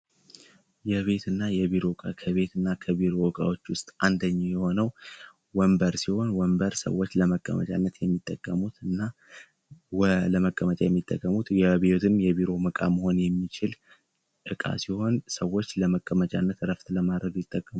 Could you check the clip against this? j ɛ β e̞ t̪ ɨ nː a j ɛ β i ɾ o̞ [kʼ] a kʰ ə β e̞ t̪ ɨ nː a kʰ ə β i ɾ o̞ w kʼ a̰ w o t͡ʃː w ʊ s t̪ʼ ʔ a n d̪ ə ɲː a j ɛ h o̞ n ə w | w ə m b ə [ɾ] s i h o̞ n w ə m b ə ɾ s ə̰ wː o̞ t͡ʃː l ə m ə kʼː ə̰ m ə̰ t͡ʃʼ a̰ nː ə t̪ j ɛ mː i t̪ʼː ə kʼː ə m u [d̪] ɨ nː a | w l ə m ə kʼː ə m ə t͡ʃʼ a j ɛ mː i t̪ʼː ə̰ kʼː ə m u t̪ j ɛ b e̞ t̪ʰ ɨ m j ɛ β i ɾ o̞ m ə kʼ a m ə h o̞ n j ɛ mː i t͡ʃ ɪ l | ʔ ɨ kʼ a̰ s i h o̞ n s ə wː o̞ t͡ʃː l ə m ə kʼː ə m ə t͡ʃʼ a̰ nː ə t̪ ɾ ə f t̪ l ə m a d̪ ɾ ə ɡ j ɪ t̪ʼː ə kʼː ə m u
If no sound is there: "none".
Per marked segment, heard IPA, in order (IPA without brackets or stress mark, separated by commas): kʼ, ɾ, t̪